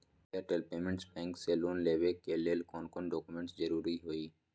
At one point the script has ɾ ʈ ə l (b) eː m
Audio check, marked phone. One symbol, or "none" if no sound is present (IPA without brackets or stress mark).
p